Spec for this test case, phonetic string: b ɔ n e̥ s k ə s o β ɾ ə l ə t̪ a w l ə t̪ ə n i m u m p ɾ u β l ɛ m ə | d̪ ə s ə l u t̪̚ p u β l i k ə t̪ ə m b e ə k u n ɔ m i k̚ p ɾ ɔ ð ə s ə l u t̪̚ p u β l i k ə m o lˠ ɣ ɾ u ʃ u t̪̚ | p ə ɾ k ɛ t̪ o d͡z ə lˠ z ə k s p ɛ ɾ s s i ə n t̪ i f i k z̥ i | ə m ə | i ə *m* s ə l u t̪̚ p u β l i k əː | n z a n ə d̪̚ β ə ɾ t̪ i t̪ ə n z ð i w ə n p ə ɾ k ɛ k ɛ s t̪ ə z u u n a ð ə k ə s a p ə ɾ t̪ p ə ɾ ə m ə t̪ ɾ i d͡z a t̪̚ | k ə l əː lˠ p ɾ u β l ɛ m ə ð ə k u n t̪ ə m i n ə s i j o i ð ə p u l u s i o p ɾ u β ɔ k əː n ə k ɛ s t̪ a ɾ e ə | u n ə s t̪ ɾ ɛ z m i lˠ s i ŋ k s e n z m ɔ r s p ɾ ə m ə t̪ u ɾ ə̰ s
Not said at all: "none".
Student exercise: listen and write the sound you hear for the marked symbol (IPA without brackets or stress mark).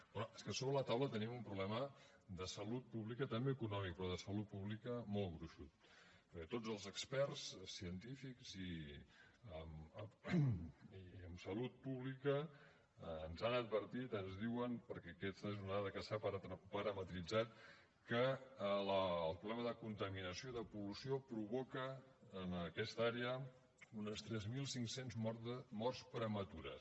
m